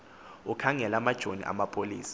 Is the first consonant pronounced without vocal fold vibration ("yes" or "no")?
yes